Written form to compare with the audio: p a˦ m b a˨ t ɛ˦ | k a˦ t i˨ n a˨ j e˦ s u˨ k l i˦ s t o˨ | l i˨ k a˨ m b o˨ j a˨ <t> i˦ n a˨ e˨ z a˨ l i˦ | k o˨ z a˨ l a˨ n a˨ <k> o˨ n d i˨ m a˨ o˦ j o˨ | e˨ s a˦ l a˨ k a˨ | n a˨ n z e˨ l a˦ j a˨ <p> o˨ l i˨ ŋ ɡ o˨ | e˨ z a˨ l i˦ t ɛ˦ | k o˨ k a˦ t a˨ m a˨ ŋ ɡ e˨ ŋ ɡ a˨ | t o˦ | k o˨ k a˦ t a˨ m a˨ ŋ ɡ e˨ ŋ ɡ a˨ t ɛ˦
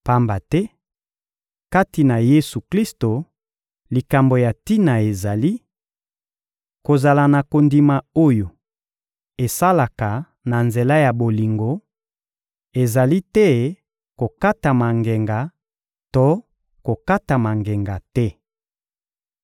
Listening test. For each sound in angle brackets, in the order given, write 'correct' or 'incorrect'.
correct, correct, incorrect: b

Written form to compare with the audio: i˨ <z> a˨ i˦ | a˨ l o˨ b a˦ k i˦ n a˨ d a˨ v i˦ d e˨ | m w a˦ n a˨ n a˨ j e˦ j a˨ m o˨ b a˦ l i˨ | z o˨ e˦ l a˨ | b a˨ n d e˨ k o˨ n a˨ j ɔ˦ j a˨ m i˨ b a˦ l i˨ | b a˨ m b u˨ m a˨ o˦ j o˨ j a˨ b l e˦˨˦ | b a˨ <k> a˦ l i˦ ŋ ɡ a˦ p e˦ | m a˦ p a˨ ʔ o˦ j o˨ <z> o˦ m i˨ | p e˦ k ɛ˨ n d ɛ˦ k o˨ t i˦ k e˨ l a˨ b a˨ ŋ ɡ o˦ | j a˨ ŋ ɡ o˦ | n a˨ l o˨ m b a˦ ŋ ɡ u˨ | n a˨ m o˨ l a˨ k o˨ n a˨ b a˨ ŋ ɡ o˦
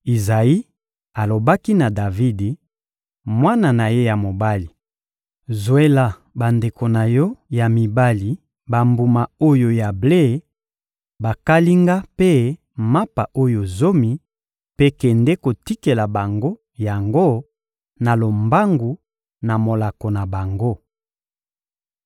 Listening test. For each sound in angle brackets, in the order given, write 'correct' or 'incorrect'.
correct, correct, correct

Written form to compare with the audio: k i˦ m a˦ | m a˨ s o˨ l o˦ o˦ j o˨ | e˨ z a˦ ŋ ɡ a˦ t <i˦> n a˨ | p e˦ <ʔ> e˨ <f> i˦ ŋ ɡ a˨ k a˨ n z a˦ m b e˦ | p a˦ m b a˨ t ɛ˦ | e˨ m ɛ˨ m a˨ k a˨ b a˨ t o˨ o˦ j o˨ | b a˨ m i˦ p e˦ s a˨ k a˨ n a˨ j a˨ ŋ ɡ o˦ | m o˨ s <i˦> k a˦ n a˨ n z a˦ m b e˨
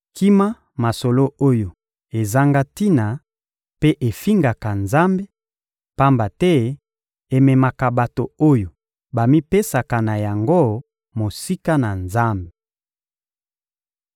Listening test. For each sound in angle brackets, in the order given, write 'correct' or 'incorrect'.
correct, correct, correct, correct

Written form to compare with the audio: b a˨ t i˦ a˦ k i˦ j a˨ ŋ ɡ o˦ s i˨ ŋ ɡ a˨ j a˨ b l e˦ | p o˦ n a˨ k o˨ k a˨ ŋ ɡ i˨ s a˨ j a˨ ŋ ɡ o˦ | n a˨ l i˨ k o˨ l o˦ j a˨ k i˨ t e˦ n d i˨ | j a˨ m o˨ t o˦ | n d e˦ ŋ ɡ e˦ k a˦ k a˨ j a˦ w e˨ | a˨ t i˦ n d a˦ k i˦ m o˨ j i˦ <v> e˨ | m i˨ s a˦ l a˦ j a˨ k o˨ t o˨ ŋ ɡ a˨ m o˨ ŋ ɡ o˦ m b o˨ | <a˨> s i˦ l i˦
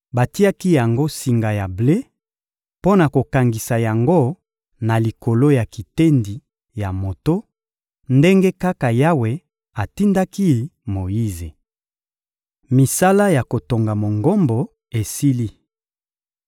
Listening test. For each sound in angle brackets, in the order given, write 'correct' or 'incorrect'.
incorrect: z, incorrect: e˨

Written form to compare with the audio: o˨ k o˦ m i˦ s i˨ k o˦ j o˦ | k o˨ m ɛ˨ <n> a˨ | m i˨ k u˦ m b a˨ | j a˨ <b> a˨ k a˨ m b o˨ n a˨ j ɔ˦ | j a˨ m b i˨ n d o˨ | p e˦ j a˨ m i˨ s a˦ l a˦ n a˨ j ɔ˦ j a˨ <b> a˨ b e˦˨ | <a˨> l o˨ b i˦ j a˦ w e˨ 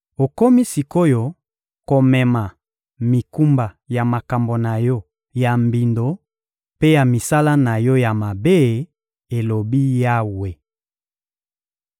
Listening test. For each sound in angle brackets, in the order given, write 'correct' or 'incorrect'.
incorrect: m, incorrect: m, incorrect: m, incorrect: e˨

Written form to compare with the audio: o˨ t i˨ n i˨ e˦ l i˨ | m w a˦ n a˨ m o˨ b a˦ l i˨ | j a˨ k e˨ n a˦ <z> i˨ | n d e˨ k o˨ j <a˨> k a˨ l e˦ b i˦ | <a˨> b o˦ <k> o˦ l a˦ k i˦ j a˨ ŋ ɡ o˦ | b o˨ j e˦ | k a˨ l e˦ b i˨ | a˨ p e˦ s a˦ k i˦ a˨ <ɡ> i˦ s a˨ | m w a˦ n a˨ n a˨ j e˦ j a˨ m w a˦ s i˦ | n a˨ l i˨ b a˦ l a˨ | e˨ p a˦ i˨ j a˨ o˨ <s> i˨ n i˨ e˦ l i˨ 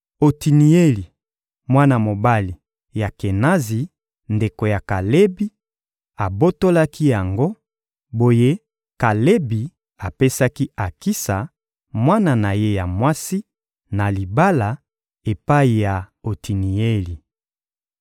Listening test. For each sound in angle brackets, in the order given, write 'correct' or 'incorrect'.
correct, correct, correct, incorrect: t, incorrect: k, incorrect: t

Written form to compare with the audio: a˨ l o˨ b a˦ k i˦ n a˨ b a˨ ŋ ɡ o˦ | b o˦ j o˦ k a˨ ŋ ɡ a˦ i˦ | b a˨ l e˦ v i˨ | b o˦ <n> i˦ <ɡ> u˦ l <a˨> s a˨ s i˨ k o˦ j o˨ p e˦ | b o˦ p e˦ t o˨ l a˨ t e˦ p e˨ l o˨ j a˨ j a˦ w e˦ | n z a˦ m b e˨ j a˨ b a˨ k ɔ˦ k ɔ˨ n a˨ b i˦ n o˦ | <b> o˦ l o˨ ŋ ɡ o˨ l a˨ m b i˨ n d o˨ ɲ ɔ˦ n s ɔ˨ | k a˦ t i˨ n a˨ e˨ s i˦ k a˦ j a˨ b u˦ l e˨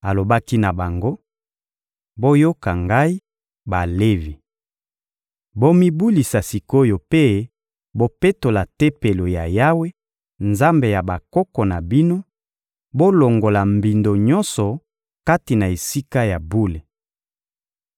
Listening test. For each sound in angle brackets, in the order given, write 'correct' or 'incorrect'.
incorrect: m, incorrect: b, incorrect: i˨, correct

